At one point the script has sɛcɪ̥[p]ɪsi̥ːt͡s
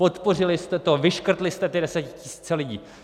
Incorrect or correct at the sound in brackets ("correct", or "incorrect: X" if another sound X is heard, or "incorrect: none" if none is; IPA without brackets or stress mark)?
incorrect: c